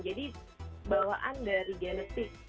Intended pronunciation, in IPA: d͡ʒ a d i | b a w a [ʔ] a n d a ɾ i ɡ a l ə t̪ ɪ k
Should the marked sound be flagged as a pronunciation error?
no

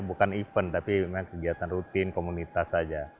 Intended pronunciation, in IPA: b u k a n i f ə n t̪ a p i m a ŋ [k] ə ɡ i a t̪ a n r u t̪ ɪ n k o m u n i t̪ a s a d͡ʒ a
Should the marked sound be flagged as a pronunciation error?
no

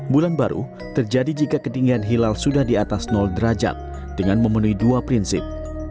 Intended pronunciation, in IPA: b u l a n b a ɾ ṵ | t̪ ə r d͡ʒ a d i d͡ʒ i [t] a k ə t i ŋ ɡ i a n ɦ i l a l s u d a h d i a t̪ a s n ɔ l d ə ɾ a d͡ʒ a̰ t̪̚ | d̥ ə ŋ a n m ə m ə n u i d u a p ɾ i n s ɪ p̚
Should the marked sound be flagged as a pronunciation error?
yes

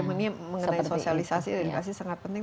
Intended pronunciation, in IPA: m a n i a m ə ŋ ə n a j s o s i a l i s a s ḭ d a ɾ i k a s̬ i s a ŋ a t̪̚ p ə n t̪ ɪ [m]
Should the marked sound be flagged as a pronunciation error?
yes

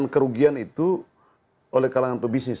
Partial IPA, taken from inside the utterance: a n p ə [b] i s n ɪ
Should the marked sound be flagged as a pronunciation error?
no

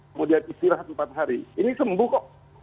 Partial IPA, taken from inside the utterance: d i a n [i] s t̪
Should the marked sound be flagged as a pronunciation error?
no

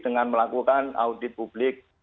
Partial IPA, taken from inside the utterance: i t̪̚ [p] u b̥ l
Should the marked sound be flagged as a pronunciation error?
no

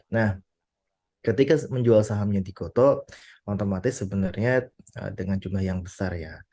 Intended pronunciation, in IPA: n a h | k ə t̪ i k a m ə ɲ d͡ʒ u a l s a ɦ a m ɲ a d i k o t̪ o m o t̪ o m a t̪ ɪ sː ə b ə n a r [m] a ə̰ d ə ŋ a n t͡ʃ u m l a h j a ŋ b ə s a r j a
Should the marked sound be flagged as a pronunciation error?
yes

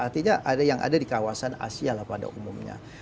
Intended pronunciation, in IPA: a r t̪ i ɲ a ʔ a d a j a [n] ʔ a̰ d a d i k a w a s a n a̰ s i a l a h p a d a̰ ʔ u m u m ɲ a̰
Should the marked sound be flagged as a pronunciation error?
yes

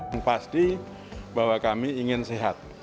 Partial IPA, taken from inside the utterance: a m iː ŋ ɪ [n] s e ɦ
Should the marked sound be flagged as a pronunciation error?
no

